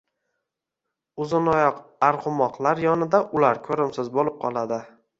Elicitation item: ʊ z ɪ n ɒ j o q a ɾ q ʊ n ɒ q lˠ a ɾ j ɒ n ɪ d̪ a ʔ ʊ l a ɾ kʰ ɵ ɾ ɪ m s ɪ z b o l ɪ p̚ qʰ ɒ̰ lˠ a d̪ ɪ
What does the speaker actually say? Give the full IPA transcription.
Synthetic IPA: ʊ z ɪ n ɒ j ɒ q a ɾ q ʊ m ɒ q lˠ a ɾ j ɒ n ɪ d̪ a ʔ ʊ l a ɾ kʰ ɵ ɾ ɪ m s ɪ z b o l ɪ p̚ qʰ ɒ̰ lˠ a d̪ ɪ